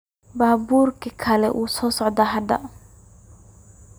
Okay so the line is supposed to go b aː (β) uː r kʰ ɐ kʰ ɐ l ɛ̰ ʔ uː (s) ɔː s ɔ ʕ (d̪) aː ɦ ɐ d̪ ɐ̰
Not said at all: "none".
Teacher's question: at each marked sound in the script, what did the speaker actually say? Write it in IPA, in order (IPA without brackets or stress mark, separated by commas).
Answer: b, s, d̪